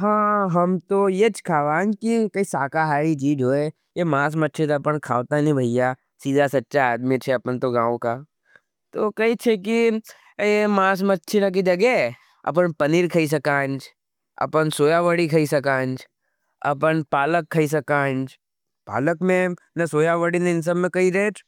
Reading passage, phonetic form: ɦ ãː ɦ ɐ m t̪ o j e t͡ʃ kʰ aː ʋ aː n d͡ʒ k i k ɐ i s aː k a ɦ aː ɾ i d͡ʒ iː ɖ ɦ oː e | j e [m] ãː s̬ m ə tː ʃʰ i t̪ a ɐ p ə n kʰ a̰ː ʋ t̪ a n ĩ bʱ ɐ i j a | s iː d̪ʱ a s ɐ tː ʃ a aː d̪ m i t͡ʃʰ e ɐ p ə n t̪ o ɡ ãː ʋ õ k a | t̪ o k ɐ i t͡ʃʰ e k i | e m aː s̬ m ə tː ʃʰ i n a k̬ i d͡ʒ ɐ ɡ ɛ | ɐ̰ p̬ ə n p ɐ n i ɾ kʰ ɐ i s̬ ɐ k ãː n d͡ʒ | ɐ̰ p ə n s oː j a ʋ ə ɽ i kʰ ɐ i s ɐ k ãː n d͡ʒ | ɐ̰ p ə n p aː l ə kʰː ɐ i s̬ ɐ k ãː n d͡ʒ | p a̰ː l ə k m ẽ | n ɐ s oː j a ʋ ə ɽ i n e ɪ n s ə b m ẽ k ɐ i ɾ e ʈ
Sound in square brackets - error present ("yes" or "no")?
no